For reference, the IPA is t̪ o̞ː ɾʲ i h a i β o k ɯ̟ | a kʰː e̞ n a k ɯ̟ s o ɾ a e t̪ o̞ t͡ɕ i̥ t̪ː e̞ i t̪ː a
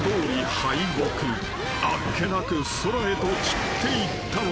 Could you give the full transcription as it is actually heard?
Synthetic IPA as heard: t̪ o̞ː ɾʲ i h a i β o k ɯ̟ | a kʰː e̞ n a k ɯ̟ s o ɾ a e t̪ o̞ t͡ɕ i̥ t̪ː e̞ i t̪ː a